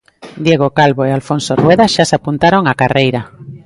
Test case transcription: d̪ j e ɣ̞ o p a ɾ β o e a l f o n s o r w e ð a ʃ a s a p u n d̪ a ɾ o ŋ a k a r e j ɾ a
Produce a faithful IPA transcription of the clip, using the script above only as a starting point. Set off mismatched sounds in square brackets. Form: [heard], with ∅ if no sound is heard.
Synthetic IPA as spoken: d̪ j e ɣ̞ o [k] a [l] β o e a l f o n s o r w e ð a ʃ a s a p u n [t̪] a ɾ o ŋ a k a r e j ɾ a